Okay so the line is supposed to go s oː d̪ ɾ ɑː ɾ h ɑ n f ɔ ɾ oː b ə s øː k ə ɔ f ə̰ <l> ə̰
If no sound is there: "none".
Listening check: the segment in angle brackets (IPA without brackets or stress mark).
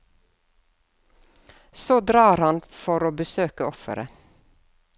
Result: ɾ